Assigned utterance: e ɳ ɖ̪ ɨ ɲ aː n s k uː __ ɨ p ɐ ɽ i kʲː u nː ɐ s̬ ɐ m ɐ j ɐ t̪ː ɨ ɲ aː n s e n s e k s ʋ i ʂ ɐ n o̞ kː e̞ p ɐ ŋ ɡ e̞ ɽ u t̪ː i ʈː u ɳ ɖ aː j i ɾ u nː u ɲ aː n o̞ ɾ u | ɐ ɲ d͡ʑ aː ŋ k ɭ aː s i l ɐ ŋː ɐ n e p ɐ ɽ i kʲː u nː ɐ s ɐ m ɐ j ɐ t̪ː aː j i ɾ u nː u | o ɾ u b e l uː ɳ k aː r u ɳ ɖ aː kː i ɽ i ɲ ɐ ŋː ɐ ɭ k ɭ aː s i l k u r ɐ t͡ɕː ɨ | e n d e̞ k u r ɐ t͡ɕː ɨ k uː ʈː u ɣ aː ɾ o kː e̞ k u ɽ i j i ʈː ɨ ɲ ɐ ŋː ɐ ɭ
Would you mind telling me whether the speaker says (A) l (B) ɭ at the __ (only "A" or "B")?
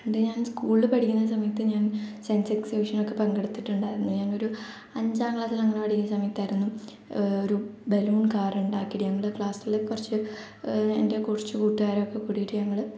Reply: B